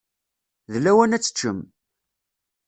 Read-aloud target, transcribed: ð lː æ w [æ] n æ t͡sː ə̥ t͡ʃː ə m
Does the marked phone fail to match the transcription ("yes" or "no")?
no